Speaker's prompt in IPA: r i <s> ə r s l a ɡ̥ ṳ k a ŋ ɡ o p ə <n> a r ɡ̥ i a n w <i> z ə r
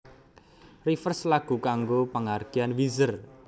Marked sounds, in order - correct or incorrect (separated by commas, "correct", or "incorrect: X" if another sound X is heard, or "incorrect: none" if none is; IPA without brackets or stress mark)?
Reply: incorrect: f, incorrect: ŋ, correct